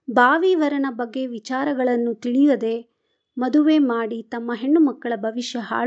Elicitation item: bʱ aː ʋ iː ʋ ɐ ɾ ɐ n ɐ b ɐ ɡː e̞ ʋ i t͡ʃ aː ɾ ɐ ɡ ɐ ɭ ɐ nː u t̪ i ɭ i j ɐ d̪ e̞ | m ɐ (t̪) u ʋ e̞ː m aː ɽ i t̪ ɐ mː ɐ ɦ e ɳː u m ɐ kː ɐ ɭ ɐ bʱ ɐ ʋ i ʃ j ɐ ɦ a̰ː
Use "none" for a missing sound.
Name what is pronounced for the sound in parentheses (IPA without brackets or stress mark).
d̪